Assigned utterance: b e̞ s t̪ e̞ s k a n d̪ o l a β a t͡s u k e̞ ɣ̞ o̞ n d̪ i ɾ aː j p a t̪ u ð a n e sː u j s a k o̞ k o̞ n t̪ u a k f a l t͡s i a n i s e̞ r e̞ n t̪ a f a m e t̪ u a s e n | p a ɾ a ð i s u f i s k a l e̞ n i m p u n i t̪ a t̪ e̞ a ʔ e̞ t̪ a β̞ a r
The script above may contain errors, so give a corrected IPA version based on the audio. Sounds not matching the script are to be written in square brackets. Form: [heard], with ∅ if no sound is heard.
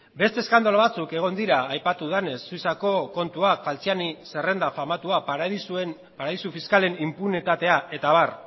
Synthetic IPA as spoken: b e̞ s t̪ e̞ s k a n d̪ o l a β a t͡s u k e̞ ɣ̞ o̞ n d̪ i ɾ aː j p a t̪ u ð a n e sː u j s a k o̞ k o̞ n t̪ u a k f a l t͡s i a n i s e̞ r e̞ n [d̪] a f a m [a] t̪ u a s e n | p a ɾ a ð i s u f i s k a l e̞ n i m p u n i t̪ a t̪ e̞ a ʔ e̞ t̪ a β̞ a r